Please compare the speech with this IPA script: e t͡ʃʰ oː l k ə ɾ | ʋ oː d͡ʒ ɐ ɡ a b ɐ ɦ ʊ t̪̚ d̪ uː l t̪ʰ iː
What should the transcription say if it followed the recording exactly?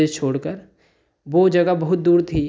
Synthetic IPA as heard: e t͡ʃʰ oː ɽ k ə ɾ | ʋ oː d͡ʒ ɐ ɡ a b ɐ ɦ ʊ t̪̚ d̪ uː ɾ t̪ʰ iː